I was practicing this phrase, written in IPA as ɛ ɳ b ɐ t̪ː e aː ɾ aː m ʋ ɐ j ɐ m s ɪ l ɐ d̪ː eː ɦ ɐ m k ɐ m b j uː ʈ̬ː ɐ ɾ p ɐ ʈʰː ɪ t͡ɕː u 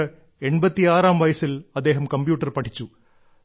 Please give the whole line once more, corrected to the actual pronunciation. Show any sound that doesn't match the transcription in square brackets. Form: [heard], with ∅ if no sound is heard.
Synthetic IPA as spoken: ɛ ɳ b ɐ t̪ː [i] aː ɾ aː m ʋ ɐ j ɐ [∅] s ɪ l ɐ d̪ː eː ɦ ɐ m k ɐ m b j uː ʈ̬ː ɐ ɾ p ɐ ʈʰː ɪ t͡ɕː u

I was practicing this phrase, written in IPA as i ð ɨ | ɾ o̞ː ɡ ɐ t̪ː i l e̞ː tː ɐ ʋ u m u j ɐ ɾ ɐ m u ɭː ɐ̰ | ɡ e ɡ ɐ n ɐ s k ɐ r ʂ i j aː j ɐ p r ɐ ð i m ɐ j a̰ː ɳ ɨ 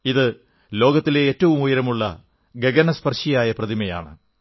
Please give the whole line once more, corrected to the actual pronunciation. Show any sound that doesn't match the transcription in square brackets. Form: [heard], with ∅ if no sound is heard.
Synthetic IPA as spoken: i ð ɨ | [l] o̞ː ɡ ɐ t̪ː i l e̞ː tː ɐ ʋ u m u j ɐ ɾ ɐ m u ɭː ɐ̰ | ɡ e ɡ ɐ n ɐ s [p] ɐ r ʂ i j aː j ɐ p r ɐ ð i m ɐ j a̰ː ɳ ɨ

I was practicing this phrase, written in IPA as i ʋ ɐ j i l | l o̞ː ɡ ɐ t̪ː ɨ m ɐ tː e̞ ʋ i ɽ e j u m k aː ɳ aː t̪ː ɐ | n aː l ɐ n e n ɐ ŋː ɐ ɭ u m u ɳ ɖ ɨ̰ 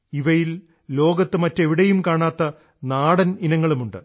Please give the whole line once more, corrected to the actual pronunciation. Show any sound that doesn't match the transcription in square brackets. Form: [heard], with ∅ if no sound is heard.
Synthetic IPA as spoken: i ʋ ɐ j i l | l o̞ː ɡ ɐ t̪ː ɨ m ɐ tː e̞ ʋ i ɽ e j u m k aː ɳ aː t̪ː ɐ | n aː [ɽ] ɐ n [i] n ɐ ŋː ɐ ɭ u m u ɳ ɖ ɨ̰

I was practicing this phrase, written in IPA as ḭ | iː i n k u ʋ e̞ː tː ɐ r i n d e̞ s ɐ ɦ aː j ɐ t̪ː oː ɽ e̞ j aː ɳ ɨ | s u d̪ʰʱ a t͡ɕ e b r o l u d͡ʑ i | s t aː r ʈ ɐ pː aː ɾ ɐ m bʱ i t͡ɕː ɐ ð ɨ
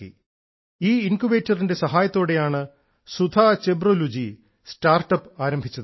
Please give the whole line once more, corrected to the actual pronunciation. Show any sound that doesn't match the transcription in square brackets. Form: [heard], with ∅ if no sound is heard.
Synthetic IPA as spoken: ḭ | iː i n k u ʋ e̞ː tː ɐ r i n d e̞ s ɐ ɦ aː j ɐ t̪ː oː ɽ e̞ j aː ɳ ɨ | s u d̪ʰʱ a t͡ɕ e b r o l u d͡ʑ i | s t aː r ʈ ɐ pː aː ɾ ɐ m bʱ i t͡ɕː ɐ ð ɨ

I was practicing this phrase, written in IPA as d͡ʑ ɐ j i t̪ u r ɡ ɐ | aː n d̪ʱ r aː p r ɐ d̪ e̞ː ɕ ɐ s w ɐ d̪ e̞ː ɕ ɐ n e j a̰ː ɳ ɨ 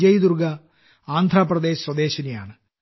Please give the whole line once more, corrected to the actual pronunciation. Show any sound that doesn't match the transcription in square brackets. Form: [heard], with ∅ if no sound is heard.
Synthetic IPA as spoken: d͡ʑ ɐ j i [d̪] u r ɡ ɐ | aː n d̪ʱ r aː p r ɐ d̪ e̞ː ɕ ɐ s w ɐ d̪ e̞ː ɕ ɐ n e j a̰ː ɳ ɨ

